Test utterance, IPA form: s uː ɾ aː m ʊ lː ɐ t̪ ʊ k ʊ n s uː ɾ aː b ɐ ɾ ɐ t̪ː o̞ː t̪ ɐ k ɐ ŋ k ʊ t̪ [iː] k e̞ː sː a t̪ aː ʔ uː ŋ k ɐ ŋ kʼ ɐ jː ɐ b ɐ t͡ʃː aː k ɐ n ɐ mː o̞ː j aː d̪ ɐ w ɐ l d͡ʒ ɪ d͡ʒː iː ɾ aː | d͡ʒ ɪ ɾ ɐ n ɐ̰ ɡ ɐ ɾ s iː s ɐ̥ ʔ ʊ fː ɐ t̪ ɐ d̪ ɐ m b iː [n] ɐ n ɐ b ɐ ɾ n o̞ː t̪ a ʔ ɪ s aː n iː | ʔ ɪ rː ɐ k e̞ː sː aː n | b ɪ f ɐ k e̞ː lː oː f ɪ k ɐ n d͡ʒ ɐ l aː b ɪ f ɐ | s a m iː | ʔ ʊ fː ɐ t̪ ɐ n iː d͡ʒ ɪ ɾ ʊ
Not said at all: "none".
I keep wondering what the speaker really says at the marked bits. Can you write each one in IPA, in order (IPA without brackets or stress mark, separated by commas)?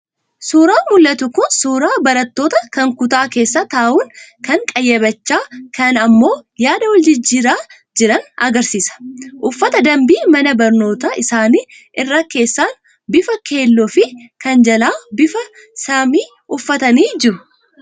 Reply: aː, m